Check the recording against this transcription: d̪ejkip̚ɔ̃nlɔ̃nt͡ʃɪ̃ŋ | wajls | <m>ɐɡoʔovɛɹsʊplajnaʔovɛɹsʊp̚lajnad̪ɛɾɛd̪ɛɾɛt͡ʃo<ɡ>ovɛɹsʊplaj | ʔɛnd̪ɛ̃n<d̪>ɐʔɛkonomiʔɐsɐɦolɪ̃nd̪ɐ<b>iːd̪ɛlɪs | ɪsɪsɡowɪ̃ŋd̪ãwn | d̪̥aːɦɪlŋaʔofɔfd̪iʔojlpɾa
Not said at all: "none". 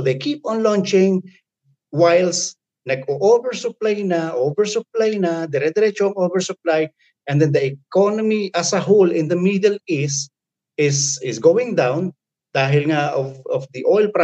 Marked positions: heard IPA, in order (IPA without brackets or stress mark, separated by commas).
n, ŋ, d̪, m